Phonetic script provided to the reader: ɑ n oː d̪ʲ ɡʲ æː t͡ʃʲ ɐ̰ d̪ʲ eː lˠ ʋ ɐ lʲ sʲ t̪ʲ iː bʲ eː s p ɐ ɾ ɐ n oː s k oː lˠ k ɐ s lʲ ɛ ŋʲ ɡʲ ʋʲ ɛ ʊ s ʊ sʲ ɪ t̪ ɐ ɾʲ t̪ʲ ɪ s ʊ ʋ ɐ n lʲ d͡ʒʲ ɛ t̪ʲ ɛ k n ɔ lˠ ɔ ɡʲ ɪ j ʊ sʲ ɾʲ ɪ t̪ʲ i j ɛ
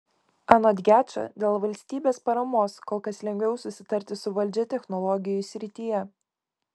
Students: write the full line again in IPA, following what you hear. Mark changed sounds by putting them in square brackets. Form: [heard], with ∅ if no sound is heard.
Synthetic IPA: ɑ n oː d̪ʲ ɡʲ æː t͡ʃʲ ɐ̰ d̪ʲ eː lˠ ʋ ɐ lʲ sʲ t̪ʲ iː bʲ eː s p ɐ ɾ ɐ [m] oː s k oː lˠ k ɐ s lʲ ɛ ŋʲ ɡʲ ʋʲ ɛ ʊ s ʊ sʲ ɪ t̪ ɐ ɾʲ t̪ʲ ɪ s ʊ ʋ ɐ [∅] lʲ d͡ʒʲ ɛ t̪ʲ ɛ [x] n ɔ lˠ ɔ ɡʲ ɪ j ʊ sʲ ɾʲ ɪ t̪ʲ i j ɛ